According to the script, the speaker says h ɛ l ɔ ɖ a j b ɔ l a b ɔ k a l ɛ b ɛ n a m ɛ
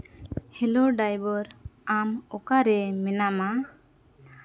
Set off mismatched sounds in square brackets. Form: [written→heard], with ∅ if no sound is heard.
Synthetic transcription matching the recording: h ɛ l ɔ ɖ a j b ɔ [l→ɾ] a [b→m] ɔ k a [l→ɾ] ɛ [b→m] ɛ n a m [ɛ→a]